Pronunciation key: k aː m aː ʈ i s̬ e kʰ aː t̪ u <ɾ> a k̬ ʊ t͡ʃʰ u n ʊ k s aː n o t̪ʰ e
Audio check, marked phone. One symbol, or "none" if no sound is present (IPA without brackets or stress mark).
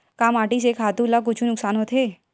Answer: l